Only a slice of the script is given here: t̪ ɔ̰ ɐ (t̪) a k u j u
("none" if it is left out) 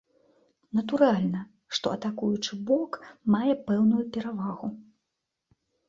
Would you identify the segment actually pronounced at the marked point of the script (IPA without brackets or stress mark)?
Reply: t̪